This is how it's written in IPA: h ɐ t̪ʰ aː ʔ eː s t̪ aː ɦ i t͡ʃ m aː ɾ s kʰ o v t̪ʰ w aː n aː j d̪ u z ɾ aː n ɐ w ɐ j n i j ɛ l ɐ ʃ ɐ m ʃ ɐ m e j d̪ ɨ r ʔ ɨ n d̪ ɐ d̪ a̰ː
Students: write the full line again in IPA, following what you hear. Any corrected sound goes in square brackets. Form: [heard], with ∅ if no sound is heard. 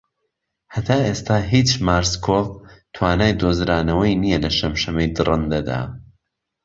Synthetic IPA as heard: h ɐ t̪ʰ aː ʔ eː s t̪ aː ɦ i t͡ʃ m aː ɾ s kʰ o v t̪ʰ w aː n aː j d̪ [o] z ɾ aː n ɐ w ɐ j n i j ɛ l ɐ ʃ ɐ m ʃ ɐ m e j d̪ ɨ r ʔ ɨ n d̪ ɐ d̪ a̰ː